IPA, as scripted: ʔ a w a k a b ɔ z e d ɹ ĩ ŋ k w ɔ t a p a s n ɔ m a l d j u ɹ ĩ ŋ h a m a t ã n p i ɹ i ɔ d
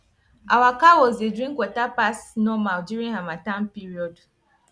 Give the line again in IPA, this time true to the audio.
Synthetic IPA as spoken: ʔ a w a k a w ɔ z e d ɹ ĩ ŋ k w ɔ t a p a s n ɔ m a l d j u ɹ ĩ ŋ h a m a t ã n p i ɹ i ɔ d